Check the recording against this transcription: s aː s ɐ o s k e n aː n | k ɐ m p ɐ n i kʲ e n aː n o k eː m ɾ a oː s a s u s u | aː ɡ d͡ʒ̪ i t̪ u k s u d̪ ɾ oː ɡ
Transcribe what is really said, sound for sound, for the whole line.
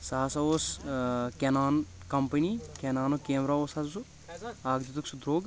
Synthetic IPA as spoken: s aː s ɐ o s k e n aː n | k ɐ m p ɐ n i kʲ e n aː n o k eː m ɾ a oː s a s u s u | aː ɡ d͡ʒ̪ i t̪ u k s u d̪ ɾ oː ɡ